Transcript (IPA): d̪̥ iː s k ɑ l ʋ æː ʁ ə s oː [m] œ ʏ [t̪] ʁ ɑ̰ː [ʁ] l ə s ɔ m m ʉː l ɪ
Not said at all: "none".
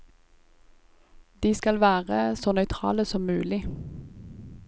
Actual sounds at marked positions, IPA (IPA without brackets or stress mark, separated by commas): n, t̪ʰ, none